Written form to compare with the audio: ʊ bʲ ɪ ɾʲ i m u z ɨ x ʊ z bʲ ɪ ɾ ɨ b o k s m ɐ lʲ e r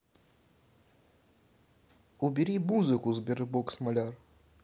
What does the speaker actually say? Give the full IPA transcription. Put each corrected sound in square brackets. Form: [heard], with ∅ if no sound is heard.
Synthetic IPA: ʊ bʲ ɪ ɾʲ i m u z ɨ [k] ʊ z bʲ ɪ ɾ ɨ b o k s m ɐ lʲ [a] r